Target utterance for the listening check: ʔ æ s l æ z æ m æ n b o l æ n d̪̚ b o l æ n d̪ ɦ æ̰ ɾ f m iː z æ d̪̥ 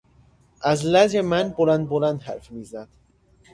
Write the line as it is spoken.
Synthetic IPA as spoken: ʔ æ z l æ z e m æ n b o l æ n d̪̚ b o l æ n d̪ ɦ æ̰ ɾ f m iː z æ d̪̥